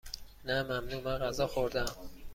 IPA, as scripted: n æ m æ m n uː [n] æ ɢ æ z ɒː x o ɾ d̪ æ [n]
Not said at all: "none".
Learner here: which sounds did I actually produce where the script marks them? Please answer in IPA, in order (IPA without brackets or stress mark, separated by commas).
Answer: m, m